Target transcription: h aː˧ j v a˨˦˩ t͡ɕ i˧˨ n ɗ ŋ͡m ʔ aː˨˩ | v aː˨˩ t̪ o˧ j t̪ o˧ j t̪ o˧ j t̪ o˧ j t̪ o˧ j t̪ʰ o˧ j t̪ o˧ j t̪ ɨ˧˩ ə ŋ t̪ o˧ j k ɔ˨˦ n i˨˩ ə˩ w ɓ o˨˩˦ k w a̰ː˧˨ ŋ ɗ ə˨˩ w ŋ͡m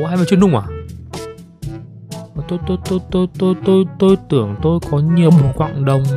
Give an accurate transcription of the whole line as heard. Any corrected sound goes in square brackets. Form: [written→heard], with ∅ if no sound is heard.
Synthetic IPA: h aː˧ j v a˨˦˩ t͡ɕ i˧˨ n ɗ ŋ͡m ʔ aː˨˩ | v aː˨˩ t̪ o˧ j t̪ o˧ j t̪ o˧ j t̪ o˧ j t̪ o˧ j [t̪ʰ→t̪] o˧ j t̪ o˧ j t̪ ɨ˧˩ ə ŋ t̪ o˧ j k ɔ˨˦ [n→ɲ] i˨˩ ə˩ w ɓ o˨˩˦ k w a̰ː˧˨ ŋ ɗ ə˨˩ w ŋ͡m